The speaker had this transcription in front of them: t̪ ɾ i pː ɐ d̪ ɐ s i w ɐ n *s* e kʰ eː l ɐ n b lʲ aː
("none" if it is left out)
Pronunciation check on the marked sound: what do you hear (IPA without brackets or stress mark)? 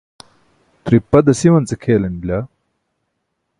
t͡s